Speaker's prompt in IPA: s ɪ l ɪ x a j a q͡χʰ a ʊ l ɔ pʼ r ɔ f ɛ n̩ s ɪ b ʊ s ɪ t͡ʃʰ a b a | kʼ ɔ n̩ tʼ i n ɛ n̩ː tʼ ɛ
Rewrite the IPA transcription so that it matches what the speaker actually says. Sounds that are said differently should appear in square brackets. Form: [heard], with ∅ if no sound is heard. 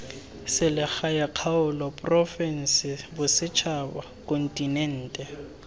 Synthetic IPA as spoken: s ɪ l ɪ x a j a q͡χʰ a ʊ l ɔ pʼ r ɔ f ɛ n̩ s ɪ b ʊ s ɪ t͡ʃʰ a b a | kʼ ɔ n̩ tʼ i n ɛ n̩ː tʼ ɛ